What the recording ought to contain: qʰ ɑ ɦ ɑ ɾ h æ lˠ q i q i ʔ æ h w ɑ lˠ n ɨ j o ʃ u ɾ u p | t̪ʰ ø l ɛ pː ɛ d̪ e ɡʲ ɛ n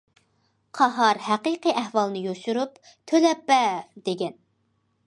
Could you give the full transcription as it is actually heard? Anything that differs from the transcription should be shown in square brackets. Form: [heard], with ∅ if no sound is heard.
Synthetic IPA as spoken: qʰ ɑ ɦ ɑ ɾ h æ [∅] q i q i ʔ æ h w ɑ lˠ n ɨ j o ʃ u ɾ u p | t̪ʰ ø l ɛ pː ɛ d̪ e ɡʲ ɛ n